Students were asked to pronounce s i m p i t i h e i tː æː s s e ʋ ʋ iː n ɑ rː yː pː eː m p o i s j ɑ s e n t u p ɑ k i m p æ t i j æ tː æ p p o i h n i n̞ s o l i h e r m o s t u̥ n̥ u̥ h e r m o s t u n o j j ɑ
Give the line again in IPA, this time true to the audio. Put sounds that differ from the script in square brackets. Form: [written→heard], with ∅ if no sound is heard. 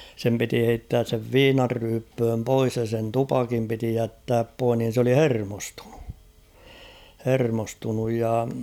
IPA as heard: s [i→e] m p i t i h e i tː æː s s e ʋ ʋ iː n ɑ rː yː pː [eː→øː] m p o i s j ɑ s e n t u p ɑ k i m p [æ→i] t i j æ tː [æ→æː] p p o i h n i n̞ s o l i h e r m o s t u̥ n̥ u̥ h e r m o s t u n [o→u] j j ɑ